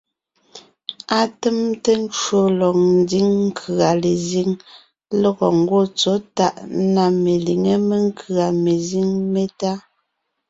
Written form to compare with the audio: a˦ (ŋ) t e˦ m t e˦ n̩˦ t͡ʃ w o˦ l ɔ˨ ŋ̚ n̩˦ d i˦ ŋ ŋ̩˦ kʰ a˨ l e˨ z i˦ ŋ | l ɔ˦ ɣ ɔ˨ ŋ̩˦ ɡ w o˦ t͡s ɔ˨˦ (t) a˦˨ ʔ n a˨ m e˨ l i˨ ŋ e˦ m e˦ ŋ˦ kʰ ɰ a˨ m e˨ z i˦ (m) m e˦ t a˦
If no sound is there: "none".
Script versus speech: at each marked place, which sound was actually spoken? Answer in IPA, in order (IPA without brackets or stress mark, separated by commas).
none, t, ŋ